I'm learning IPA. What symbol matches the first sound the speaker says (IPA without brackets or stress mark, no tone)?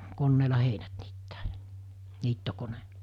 k